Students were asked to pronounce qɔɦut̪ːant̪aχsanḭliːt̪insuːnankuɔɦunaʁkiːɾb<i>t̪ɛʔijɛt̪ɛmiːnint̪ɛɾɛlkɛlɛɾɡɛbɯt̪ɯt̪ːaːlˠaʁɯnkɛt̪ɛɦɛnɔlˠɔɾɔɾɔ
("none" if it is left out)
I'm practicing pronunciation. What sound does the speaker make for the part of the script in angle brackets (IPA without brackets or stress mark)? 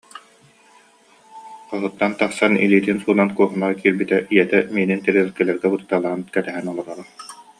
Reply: i